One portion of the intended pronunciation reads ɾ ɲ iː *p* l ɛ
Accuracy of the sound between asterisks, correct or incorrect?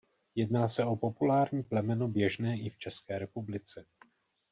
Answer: correct